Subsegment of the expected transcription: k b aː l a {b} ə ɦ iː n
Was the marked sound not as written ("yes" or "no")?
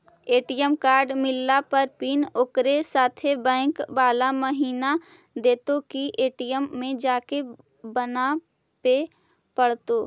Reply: yes